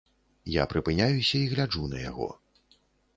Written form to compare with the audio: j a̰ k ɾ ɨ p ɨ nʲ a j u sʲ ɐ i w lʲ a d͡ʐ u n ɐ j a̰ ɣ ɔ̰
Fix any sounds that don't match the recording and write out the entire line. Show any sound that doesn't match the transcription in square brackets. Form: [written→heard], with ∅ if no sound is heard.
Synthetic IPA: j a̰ [k→p] ɾ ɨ p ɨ nʲ a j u sʲ ɐ i [w→ɣ] lʲ a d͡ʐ u n ɐ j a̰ ɣ ɔ̰